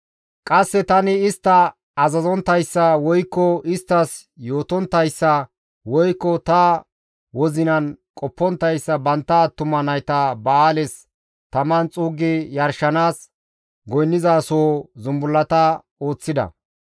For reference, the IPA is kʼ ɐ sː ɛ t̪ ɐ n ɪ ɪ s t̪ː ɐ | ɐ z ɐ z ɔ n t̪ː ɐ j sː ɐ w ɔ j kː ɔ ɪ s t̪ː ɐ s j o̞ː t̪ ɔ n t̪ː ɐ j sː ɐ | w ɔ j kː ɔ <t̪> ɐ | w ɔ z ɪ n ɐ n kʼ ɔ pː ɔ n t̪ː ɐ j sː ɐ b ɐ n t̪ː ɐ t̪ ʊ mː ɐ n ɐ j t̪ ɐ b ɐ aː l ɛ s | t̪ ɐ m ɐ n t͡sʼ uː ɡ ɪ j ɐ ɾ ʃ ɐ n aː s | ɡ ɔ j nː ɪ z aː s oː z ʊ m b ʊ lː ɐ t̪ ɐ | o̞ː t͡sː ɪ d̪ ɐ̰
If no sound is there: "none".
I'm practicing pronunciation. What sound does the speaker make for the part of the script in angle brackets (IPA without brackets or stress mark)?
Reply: t̪